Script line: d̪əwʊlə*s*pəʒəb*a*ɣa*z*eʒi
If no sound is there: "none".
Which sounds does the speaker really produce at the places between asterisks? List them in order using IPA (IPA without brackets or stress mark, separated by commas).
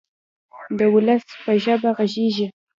s, a, ʒ